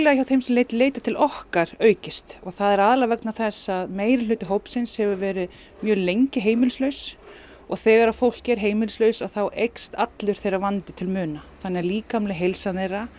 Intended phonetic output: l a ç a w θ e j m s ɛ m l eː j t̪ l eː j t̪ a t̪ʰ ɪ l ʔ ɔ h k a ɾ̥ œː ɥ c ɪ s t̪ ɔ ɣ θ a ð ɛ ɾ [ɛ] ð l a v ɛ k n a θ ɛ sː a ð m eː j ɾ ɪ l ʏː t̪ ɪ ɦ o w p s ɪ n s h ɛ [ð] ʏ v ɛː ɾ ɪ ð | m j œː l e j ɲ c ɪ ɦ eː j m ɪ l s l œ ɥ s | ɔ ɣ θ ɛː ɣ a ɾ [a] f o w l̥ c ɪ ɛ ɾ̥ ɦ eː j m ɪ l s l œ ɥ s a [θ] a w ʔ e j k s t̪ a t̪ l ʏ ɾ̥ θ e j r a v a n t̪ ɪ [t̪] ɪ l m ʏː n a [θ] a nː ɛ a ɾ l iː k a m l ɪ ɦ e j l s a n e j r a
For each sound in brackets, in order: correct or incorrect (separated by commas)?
incorrect, incorrect, correct, correct, incorrect, correct